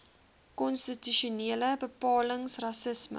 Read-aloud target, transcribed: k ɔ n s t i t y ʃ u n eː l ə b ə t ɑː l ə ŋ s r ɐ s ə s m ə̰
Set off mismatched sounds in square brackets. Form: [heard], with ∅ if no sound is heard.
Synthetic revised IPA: k ɔ n s t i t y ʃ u n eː l ə b ə [p] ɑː l ə ŋ s r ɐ s ə s m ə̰